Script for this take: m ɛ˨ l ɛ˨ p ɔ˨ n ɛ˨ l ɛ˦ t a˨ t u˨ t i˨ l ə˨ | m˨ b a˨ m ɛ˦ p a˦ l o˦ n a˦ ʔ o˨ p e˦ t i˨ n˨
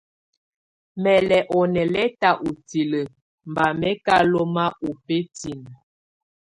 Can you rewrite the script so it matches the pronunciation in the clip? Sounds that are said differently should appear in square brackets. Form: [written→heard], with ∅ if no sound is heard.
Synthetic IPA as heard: m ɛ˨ l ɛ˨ [p→ʔ] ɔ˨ n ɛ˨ l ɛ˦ t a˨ [t→ʔ] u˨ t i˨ l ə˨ | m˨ b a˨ m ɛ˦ [p→k] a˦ l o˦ [n→m] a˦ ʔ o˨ p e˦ t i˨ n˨